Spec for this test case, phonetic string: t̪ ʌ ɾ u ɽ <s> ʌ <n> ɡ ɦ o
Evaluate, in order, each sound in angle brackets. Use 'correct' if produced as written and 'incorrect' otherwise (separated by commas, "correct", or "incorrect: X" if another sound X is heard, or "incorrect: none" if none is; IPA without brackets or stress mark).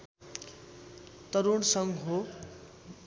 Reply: correct, incorrect: ŋ